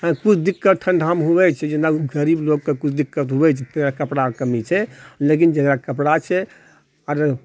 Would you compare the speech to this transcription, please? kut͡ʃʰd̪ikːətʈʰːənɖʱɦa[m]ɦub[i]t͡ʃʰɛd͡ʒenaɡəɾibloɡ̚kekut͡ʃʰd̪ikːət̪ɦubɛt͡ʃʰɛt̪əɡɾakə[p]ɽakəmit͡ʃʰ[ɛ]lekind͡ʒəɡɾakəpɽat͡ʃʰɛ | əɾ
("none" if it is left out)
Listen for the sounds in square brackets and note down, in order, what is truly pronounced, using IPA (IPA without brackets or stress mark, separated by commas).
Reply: m, ɛ, p, ɛ